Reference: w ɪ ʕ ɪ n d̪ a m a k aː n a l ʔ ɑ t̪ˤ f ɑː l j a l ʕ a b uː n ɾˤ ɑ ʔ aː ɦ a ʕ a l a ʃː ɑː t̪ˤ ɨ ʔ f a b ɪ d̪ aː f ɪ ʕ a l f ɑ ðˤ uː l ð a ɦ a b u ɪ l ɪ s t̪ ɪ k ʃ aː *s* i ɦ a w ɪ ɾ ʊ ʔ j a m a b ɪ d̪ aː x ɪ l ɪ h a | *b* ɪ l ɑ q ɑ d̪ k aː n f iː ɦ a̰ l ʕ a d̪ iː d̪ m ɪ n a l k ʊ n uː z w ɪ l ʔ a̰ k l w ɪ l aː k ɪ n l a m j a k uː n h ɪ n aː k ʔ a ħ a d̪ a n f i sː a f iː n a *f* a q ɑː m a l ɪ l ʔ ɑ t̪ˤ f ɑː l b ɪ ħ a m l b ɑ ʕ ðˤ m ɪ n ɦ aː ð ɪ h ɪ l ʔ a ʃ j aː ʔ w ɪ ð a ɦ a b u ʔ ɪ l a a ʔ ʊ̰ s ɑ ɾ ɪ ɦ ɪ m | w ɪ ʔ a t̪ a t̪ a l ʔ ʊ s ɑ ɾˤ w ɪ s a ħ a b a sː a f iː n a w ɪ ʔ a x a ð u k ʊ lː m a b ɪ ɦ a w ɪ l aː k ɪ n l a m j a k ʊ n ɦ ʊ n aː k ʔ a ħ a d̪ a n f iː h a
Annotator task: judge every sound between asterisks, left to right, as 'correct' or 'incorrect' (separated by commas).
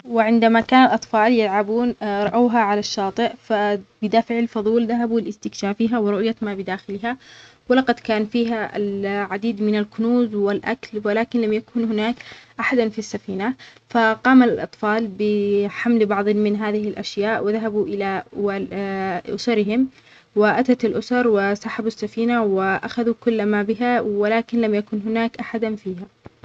incorrect, incorrect, correct